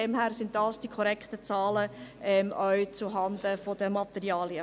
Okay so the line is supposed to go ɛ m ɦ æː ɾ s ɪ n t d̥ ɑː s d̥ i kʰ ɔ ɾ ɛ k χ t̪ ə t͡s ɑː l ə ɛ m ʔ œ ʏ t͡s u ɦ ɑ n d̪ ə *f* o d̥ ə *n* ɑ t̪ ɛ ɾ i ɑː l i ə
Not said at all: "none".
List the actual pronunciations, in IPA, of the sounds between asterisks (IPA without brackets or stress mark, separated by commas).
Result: f, m